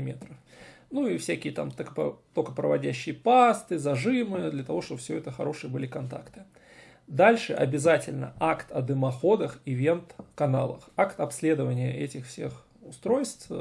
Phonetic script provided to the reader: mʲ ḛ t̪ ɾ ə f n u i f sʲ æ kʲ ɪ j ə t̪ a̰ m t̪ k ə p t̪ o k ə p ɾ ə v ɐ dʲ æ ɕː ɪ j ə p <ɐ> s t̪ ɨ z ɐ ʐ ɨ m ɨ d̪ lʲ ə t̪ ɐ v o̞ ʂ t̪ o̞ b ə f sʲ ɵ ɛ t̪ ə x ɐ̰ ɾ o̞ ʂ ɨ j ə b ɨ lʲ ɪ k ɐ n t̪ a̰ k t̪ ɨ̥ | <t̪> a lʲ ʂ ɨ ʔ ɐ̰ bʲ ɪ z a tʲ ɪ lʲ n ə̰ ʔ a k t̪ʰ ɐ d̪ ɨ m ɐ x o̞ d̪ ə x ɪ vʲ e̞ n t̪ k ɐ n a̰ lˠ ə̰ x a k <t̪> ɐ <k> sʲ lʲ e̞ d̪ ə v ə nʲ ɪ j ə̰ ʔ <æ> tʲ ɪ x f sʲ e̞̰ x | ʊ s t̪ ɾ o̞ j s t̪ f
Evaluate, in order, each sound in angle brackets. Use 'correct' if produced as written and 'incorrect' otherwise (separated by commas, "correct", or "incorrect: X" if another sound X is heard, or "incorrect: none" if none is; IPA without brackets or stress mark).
incorrect: a, incorrect: d̪, correct, incorrect: p, incorrect: ɛ